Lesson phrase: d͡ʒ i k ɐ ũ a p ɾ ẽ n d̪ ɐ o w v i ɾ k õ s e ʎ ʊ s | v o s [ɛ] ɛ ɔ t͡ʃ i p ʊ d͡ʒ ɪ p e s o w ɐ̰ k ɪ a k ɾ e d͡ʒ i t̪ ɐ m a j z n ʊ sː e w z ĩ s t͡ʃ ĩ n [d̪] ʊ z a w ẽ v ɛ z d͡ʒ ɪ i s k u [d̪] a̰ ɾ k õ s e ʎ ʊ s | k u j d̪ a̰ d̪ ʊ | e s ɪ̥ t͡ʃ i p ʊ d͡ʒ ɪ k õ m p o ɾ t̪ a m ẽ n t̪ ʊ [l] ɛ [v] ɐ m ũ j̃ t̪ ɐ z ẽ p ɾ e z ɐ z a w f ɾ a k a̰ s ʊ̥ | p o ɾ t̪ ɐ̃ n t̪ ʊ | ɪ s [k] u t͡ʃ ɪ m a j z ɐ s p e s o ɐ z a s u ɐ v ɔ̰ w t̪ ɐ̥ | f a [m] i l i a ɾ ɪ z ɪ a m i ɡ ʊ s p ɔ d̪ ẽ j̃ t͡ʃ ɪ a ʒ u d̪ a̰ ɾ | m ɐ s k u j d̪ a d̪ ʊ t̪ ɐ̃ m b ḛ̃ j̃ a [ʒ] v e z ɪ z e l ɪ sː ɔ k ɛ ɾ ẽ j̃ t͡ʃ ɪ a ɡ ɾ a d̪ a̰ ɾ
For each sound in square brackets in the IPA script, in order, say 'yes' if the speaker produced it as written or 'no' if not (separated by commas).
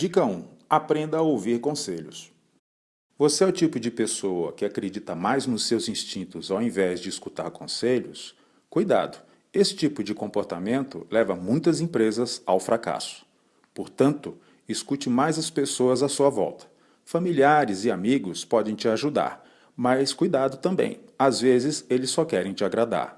no, no, no, yes, yes, yes, yes, no